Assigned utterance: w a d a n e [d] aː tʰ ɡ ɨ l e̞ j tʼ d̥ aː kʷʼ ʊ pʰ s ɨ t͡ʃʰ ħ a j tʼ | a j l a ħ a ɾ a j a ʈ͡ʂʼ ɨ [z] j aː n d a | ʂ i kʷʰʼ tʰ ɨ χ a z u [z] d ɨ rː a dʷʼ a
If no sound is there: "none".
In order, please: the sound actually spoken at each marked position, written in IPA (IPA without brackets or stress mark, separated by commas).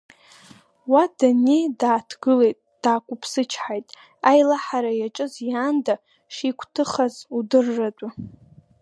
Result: d, z, none